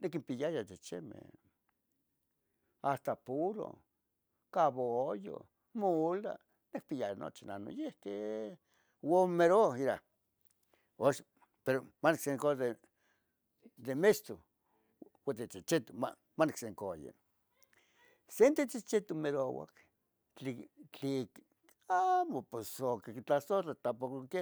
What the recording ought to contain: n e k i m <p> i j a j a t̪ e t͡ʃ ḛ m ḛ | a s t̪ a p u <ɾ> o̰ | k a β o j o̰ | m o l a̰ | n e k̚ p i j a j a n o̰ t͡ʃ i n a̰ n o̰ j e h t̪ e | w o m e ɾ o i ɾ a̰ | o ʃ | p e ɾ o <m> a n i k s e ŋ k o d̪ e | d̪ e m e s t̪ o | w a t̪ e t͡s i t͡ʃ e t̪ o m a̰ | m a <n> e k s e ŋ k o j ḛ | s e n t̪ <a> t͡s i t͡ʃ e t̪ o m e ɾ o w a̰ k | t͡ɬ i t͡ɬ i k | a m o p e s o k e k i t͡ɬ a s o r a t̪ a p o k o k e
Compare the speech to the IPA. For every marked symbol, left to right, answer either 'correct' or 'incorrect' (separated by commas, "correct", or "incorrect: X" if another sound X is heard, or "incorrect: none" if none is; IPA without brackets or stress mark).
correct, correct, correct, correct, incorrect: e